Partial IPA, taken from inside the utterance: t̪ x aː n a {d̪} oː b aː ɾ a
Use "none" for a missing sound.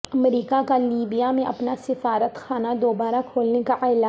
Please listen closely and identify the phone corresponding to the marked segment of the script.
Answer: d̪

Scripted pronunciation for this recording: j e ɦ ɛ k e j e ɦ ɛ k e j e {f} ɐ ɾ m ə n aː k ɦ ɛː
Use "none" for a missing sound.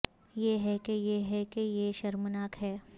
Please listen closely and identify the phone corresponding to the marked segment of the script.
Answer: ʃ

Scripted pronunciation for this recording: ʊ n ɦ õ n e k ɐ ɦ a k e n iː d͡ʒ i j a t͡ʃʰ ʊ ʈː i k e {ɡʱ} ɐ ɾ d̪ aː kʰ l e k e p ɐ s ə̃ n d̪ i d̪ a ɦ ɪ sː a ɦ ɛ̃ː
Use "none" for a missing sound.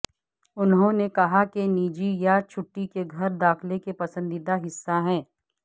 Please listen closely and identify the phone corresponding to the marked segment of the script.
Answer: ɡʱ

